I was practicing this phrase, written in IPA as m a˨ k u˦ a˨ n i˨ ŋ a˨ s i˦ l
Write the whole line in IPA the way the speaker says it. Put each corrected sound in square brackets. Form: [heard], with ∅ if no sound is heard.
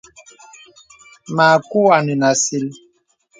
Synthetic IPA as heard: m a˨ k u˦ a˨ n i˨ [n] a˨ s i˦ l